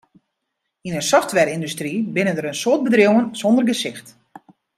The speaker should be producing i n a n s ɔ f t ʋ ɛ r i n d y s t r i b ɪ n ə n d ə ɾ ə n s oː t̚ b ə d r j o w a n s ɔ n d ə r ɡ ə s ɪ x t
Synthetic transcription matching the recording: i n ə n s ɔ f t ʋ ɛ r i n d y s t r i b ɪ n ə n d ə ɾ ə n s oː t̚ b ə d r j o w ə n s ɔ n d ə r ɡ ə s ɪ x t